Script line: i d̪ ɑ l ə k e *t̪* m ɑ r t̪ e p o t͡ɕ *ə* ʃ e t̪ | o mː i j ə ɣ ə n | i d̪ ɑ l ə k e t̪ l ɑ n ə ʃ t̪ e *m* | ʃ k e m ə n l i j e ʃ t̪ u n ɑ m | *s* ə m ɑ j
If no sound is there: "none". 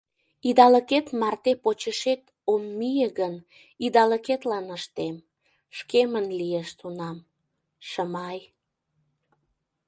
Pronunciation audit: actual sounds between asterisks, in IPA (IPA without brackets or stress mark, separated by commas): t̪, ə, m, ʃ